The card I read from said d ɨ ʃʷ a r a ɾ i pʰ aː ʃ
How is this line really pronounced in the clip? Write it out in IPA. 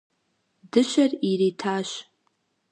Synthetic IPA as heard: d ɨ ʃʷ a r i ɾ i tʰ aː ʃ